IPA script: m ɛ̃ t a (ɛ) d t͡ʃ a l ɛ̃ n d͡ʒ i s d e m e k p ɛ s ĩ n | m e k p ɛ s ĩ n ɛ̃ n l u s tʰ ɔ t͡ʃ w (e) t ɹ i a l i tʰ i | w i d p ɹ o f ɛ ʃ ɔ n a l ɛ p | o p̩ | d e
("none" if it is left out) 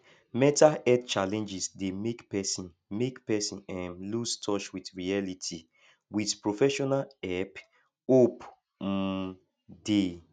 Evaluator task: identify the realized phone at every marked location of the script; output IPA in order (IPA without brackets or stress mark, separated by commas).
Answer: ɛ, i